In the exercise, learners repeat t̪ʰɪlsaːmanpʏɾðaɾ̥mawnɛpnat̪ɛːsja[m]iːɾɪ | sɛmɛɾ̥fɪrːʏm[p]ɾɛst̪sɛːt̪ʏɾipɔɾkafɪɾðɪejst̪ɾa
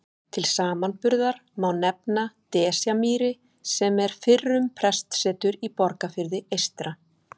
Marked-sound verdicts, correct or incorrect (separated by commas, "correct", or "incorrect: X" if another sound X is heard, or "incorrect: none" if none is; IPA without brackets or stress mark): correct, incorrect: pʰ